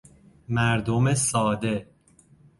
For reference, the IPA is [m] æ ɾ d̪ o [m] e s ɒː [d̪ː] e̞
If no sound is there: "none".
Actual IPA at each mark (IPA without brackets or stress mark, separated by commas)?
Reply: m, m, d̪